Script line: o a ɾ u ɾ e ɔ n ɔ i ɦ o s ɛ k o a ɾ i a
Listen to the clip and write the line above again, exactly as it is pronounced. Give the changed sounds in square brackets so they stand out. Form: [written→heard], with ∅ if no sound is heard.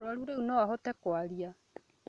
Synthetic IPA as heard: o a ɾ u ɾ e [ɔ→u] n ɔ [i→a] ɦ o [s→t] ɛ k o a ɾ i a